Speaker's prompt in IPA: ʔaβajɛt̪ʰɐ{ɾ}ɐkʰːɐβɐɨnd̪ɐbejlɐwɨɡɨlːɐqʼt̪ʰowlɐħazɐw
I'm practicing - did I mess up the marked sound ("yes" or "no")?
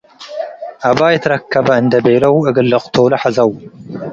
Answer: no